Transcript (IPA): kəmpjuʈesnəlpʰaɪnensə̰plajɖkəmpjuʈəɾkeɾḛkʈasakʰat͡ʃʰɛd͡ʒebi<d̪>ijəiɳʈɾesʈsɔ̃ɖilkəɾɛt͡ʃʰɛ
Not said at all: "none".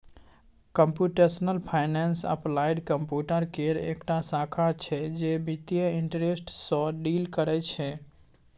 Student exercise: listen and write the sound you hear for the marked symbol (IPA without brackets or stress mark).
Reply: t̪